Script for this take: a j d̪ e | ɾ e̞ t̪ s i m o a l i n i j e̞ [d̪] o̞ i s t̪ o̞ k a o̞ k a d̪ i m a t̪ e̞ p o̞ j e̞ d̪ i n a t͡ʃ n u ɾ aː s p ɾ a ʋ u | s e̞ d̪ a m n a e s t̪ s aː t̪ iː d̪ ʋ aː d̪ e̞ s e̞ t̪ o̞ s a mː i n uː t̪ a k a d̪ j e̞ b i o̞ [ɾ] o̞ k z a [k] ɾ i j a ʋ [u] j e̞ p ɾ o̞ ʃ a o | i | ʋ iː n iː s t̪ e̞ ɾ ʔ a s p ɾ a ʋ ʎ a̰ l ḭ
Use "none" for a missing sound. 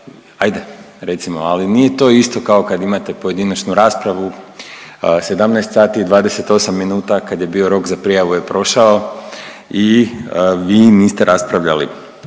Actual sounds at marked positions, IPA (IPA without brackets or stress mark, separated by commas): t̪, ɾ, p, u